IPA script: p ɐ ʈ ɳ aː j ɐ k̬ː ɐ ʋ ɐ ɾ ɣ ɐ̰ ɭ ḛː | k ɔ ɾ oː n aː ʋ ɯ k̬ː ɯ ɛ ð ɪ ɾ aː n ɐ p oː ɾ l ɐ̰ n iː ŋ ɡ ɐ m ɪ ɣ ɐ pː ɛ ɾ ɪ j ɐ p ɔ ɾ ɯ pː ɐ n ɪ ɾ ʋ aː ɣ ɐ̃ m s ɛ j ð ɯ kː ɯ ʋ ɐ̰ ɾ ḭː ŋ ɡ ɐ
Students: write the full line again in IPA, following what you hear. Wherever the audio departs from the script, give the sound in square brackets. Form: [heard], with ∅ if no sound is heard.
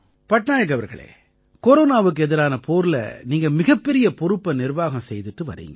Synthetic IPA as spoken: p ɐ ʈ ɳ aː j ɐ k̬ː ɐ ʋ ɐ ɾ ɣ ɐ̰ ɭ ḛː | k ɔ ɾ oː n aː ʋ ɯ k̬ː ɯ ɛ ð ɪ ɾ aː n ɐ p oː ɾ l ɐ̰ n iː ŋ ɡ ɐ m ɪ ɣ ɐ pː ɛ ɾ ɪ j ɐ p ɔ ɾ ɯ pː ɐ n ɪ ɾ ʋ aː ɣ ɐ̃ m s ɛ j ð ɯ [ʈː] ɯ ʋ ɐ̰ ɾ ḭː ŋ ɡ ɐ